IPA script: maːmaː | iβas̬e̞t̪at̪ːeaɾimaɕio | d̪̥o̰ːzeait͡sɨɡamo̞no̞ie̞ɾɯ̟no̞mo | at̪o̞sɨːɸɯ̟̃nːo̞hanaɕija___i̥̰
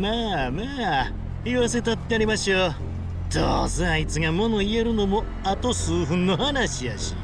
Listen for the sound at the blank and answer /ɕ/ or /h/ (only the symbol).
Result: ɕ